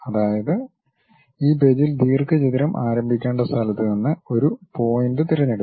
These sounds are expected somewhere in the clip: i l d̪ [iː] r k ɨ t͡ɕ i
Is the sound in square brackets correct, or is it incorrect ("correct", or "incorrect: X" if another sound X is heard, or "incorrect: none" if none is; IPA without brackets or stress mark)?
correct